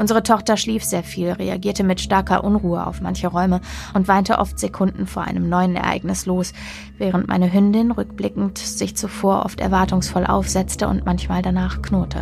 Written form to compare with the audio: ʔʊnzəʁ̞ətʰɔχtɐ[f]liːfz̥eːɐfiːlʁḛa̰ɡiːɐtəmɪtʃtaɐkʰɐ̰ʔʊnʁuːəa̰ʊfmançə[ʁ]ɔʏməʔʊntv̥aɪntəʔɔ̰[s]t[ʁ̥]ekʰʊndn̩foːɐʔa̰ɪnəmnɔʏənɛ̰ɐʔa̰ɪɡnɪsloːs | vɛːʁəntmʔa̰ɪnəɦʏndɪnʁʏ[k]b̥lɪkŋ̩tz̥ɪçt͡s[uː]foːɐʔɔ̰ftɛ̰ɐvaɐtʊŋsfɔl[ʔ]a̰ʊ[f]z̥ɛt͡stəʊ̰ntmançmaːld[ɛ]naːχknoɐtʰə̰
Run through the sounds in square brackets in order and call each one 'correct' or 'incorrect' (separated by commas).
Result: incorrect, correct, incorrect, incorrect, correct, incorrect, correct, correct, incorrect